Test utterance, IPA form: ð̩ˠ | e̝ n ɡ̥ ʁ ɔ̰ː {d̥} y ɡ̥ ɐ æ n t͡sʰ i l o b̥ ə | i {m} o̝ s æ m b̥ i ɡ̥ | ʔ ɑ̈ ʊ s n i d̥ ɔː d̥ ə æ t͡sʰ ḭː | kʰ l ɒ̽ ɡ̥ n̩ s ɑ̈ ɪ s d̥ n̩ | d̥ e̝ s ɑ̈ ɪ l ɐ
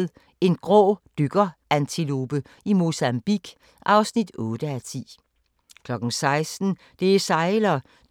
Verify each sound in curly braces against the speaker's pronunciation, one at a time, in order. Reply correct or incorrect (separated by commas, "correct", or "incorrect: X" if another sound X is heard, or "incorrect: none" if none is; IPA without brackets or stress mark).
correct, correct